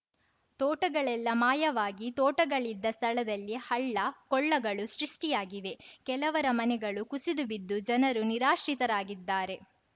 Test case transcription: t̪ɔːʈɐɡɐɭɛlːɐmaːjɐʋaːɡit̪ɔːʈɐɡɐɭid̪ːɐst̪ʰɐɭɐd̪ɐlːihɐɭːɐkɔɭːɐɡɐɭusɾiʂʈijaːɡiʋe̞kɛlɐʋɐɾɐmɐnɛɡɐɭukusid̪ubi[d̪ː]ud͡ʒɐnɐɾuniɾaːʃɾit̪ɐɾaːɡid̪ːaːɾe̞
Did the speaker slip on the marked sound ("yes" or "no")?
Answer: no